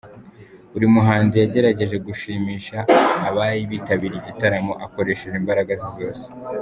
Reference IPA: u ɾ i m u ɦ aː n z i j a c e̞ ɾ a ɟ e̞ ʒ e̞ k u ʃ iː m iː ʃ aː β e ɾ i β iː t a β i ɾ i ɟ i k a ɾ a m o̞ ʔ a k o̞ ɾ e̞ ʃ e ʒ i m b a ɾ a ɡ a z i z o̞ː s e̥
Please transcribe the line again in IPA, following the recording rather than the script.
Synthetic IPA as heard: u ɾ i m u ɦ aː n z i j a ɟ e̞ ɾ a ɟ e̞ ʒ e̞ ɡ u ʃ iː m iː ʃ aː β a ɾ i β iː t a β i ɾ i ɟ i t a ɾ a m o̞ ʔ a k o̞ ɾ e̞ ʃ e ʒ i m b a ɾ a ɡ a z i z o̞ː s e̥